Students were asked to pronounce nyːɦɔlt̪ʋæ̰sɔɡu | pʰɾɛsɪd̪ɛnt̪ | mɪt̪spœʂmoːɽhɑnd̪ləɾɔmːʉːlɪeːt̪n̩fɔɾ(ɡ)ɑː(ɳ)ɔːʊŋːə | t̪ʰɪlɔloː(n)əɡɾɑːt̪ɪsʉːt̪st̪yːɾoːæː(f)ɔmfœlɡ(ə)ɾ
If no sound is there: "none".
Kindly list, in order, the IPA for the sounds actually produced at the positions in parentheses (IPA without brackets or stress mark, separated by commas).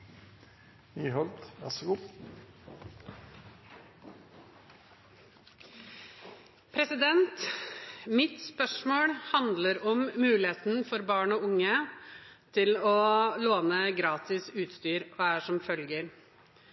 b, ɳ, n, ʂ, ə